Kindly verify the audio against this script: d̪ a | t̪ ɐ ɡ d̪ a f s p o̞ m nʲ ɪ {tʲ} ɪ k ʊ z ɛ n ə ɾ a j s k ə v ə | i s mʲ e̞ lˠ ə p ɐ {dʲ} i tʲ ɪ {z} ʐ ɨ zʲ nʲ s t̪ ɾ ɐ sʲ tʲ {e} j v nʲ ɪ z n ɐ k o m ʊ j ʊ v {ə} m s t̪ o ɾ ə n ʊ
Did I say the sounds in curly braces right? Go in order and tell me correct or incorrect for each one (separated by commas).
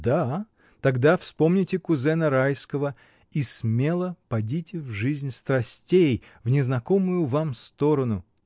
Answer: correct, correct, incorrect, correct, incorrect